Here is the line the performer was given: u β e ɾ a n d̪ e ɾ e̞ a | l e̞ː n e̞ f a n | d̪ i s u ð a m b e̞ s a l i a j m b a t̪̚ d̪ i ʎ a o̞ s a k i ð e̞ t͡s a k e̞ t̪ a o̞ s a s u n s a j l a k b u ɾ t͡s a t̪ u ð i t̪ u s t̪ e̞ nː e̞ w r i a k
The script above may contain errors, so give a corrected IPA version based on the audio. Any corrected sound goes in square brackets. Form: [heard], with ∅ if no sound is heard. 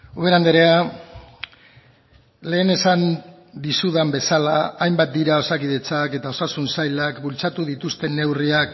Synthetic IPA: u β e ɾ a n d̪ e ɾ e̞ a | l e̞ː n e̞ [s] a n | d̪ i s u ð a m b e̞ s a l [a] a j m b a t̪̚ d̪ i [ɾ] a o̞ s a k i ð e̞ t͡s a k e̞ t̪ a o̞ s a s u n s a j l a k b u [l] t͡s a t̪ u ð i t̪ u s t̪ e̞ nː e̞ w r i a k